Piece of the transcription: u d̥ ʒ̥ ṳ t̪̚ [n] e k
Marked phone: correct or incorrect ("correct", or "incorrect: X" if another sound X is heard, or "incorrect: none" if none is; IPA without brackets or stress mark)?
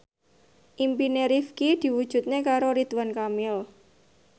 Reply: correct